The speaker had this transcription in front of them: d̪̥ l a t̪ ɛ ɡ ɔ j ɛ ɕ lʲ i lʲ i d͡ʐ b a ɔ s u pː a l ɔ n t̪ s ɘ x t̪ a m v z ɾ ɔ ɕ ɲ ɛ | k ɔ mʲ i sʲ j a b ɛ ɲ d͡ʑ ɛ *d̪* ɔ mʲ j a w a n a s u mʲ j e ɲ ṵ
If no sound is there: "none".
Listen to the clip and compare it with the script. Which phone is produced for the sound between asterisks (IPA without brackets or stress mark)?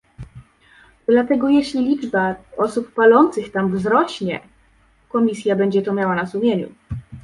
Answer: t̪